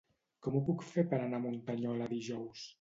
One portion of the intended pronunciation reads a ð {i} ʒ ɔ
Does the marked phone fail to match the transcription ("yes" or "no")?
no